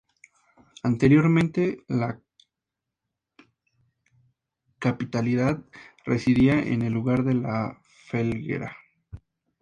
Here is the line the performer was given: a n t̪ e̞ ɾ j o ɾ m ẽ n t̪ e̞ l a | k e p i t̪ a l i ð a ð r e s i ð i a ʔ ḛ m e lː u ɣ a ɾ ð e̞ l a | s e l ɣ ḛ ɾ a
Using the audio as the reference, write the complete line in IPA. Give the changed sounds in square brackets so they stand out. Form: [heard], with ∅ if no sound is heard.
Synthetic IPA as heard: a n t̪ e̞ ɾ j o ɾ m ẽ n t̪ e̞ l a | k [a] p i t̪ a l i ð a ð r e s i ð i a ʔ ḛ [n] e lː u ɣ a ɾ ð e̞ l a | [f] e l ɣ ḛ ɾ a